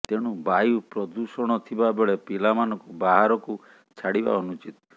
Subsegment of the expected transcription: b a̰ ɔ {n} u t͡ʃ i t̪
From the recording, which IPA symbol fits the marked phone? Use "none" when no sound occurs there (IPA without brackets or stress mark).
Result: n